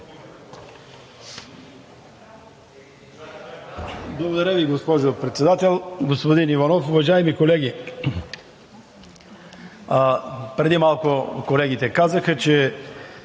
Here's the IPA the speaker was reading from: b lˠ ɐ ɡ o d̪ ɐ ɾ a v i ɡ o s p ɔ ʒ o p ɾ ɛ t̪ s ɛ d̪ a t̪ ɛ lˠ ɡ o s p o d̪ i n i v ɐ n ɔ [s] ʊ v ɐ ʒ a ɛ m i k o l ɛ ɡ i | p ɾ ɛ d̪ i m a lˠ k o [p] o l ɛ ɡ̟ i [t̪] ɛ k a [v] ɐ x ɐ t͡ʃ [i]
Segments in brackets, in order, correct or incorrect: incorrect: f, incorrect: k, correct, incorrect: z, incorrect: ɛ

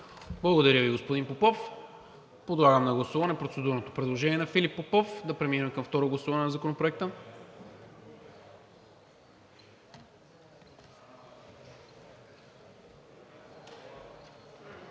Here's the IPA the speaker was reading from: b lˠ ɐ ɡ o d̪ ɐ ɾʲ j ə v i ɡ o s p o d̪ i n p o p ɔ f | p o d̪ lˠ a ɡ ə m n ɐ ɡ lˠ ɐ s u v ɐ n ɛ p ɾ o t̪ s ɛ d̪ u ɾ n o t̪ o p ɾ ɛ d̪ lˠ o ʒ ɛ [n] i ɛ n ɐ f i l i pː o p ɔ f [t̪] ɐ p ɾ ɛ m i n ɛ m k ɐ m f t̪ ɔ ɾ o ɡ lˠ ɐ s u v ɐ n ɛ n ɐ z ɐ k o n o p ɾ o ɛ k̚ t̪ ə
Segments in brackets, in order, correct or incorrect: correct, incorrect: d̪

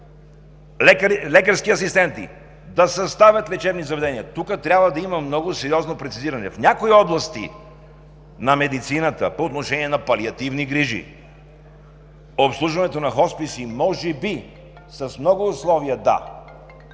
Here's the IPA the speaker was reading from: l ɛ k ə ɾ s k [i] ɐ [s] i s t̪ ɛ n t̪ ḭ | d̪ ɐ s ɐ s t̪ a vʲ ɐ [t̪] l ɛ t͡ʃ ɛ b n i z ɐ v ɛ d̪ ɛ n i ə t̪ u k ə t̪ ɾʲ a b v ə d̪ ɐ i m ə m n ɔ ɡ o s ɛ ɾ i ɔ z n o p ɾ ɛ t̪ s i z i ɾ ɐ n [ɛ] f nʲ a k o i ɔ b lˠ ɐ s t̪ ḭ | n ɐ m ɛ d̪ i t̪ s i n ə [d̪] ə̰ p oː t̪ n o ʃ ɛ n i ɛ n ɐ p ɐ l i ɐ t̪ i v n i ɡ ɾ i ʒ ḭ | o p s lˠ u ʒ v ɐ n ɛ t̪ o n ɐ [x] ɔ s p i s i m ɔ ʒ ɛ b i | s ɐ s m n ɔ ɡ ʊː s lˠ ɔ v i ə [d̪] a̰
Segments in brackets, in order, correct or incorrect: correct, correct, correct, correct, incorrect: t̪, correct, correct

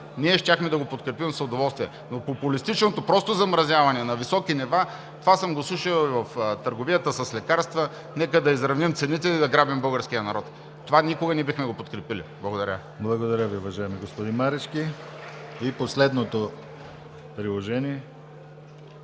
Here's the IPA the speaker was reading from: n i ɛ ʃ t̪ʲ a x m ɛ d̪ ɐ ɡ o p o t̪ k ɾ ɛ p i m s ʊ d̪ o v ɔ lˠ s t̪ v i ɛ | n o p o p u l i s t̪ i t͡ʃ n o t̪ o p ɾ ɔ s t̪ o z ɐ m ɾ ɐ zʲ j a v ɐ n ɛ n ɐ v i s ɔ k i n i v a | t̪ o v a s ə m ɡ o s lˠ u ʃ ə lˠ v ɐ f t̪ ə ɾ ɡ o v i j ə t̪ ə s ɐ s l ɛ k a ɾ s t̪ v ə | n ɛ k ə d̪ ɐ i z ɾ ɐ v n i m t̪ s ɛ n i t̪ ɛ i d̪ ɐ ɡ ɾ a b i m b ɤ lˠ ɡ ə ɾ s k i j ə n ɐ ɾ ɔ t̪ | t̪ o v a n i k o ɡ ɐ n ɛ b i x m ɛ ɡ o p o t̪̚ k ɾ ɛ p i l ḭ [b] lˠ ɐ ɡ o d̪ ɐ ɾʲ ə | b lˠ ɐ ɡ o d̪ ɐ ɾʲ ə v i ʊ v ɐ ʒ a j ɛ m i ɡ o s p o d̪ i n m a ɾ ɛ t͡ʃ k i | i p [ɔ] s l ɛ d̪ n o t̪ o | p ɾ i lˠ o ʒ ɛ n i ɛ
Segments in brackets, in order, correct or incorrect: correct, incorrect: o

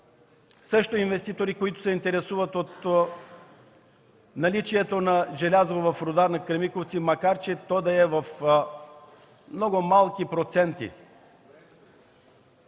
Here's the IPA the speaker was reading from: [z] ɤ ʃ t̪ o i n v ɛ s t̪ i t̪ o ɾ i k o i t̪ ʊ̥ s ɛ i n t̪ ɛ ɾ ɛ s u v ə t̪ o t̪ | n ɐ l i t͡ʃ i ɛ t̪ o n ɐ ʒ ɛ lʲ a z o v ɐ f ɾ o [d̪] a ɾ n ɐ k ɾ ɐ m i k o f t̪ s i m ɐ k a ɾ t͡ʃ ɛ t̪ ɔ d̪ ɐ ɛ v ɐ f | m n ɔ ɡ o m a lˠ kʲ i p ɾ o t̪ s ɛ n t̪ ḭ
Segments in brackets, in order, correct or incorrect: incorrect: s, correct

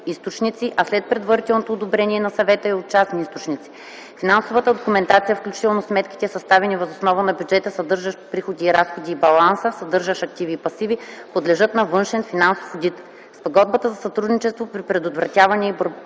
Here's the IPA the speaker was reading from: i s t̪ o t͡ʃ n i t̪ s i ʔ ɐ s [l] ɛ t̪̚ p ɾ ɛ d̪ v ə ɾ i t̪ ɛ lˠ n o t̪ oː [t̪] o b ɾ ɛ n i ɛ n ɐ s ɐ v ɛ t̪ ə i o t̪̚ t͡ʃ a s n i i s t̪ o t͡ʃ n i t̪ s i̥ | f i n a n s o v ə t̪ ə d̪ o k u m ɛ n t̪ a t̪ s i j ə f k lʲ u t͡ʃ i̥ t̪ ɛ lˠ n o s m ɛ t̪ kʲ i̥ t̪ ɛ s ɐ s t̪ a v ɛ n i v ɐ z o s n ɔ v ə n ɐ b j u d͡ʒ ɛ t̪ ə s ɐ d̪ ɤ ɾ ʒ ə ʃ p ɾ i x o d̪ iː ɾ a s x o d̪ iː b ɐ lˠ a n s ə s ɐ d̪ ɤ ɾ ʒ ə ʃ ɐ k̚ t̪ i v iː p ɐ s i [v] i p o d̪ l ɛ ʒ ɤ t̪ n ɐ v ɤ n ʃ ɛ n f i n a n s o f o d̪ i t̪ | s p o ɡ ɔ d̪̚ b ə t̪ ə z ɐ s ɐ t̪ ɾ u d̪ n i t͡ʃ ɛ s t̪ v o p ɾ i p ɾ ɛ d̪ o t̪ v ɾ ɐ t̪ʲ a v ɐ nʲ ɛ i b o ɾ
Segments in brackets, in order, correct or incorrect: correct, incorrect: d̪, correct

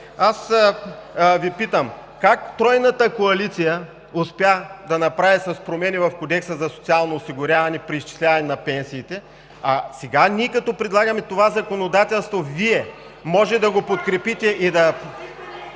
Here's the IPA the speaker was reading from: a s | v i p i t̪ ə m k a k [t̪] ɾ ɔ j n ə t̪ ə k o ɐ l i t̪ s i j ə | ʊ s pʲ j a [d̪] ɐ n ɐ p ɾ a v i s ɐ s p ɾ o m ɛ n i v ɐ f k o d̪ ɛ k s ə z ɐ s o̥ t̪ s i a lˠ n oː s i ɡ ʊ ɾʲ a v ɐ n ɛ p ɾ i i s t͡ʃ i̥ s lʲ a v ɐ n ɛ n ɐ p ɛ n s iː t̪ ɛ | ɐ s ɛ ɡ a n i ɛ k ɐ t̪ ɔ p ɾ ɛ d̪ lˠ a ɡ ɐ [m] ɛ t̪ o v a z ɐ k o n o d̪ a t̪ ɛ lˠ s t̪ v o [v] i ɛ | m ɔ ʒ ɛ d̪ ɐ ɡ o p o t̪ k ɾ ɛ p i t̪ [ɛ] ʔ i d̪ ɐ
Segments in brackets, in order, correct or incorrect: correct, correct, correct, correct, correct

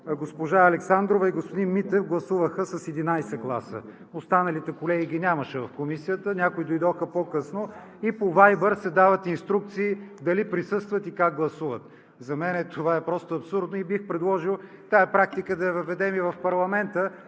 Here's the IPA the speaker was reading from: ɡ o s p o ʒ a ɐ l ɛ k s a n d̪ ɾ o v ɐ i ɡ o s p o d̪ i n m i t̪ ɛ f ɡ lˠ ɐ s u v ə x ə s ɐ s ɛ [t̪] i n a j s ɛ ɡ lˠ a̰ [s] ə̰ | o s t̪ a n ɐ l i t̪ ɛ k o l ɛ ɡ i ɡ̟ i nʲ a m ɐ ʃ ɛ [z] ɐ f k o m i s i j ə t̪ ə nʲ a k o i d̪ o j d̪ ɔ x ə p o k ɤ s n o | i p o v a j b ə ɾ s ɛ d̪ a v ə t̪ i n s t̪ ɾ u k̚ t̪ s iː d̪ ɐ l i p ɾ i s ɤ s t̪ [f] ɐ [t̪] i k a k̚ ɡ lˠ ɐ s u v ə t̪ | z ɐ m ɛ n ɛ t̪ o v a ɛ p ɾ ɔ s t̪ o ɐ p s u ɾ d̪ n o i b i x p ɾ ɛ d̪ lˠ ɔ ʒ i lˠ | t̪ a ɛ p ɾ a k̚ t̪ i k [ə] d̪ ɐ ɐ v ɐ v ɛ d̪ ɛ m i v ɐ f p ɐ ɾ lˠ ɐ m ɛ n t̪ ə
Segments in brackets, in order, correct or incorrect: incorrect: d̪, correct, incorrect: v, incorrect: v, correct, correct

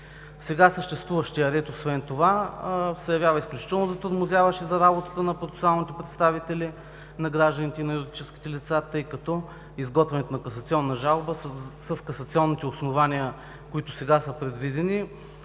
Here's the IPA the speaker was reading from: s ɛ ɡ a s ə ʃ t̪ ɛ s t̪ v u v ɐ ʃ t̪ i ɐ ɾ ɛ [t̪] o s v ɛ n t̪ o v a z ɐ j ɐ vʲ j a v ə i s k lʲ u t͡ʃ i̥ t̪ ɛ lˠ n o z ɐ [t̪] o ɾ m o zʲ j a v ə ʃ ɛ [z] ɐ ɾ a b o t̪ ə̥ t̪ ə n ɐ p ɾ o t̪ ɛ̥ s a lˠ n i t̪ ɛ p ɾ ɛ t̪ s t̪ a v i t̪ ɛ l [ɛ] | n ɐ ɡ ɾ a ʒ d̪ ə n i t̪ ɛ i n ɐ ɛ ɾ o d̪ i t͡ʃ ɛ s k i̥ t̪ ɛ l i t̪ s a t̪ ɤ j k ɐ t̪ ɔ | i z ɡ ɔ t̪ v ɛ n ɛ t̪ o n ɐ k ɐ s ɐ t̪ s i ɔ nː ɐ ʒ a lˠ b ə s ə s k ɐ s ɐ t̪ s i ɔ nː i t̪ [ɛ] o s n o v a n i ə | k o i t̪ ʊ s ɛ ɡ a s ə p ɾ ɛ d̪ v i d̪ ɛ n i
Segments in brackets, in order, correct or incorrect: correct, correct, correct, incorrect: i, correct

